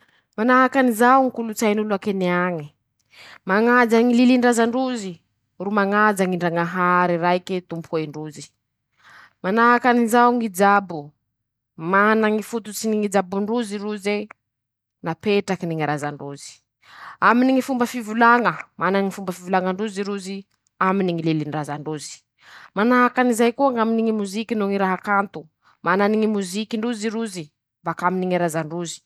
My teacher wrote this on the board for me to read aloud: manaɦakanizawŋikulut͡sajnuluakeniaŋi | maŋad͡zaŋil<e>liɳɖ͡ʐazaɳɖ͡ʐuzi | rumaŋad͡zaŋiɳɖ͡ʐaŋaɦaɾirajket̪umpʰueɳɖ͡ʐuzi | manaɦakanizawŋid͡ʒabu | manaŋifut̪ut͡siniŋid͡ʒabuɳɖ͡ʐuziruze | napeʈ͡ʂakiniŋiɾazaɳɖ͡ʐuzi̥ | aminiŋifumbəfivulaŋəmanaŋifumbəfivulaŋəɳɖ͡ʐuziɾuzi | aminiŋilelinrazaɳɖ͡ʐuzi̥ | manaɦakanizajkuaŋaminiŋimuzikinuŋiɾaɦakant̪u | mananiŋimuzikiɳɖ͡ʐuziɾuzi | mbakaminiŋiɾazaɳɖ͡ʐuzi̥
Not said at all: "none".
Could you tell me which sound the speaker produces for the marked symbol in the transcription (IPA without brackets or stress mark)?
i